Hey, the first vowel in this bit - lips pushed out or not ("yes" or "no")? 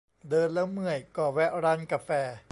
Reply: no